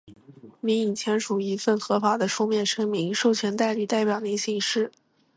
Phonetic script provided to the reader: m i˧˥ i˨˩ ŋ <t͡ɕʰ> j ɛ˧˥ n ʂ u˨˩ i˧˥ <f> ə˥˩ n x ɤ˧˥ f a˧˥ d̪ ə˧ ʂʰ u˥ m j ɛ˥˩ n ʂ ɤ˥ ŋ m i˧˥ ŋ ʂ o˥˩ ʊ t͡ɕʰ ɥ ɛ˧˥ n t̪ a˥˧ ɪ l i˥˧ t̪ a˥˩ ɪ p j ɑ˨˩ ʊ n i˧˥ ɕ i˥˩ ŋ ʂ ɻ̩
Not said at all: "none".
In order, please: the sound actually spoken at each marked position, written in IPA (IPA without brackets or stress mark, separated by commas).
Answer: t͡ɕʰ, f